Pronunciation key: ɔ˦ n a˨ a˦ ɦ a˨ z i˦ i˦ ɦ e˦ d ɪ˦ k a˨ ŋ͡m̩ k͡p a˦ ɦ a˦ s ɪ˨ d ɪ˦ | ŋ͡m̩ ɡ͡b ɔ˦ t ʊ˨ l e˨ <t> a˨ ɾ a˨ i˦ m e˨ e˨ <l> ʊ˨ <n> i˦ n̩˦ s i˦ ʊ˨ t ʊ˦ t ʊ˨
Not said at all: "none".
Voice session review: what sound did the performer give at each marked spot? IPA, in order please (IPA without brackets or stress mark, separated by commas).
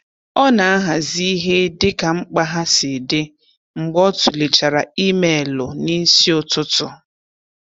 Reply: t͡ʃ, l, n